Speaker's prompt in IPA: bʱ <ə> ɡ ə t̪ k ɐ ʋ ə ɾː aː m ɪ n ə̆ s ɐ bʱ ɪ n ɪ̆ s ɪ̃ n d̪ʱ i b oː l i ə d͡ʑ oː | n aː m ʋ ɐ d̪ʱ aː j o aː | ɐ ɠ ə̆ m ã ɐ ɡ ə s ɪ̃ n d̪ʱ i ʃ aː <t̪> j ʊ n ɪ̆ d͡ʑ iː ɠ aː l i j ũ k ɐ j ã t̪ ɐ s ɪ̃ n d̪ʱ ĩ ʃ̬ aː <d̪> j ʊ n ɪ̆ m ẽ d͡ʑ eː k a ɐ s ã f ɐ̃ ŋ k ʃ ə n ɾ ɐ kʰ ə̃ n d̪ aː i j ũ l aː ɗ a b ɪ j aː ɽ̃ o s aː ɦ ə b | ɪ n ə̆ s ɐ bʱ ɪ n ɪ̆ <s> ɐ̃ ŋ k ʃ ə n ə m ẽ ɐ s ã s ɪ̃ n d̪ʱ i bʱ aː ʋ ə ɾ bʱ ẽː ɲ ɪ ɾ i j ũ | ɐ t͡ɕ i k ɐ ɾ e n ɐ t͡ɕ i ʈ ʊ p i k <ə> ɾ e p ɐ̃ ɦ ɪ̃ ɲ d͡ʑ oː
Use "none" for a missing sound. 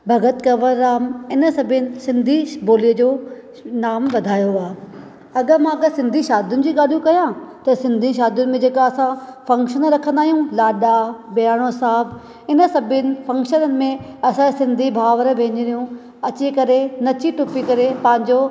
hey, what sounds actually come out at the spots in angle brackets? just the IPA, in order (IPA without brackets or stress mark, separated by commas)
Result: ɐ, d̪, d̪, f, ɐ